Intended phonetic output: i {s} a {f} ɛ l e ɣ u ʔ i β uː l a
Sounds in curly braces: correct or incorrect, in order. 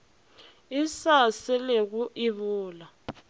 correct, incorrect

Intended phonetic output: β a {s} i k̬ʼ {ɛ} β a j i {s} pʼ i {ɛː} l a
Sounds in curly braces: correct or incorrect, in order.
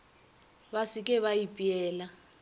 correct, correct, incorrect, correct

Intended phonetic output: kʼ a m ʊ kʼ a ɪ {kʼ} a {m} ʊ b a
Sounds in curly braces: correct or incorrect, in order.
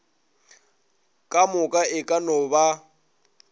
correct, incorrect

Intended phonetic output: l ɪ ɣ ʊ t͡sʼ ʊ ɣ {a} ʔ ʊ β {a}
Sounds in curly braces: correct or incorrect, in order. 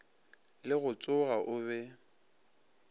correct, incorrect

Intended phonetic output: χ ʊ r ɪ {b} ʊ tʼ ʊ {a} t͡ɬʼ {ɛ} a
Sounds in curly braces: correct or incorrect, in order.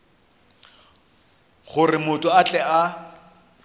incorrect, correct, correct

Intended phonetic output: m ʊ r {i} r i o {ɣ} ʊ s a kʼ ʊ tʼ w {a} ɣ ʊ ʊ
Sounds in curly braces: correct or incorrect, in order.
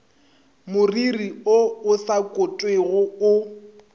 correct, incorrect, incorrect

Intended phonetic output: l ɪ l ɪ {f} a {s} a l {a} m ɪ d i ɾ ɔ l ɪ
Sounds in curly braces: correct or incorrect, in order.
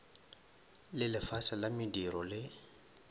correct, correct, correct

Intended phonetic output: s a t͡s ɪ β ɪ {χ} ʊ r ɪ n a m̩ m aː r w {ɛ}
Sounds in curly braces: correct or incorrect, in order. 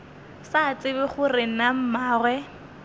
correct, correct

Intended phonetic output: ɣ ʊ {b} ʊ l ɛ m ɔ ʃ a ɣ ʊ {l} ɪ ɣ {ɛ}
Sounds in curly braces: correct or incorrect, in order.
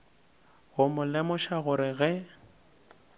incorrect, incorrect, correct

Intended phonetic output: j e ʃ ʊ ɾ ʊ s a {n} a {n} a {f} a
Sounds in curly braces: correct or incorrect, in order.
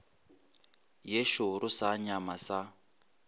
incorrect, incorrect, incorrect

